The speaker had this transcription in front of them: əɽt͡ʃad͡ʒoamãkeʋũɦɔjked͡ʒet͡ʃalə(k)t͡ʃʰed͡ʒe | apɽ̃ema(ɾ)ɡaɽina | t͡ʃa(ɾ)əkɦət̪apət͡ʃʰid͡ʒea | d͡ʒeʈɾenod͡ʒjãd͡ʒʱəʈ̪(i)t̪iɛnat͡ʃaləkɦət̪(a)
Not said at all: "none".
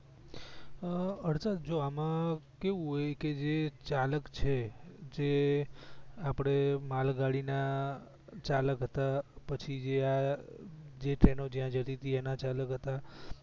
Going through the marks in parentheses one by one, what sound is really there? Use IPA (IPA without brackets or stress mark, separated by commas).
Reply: k, l, l, i, a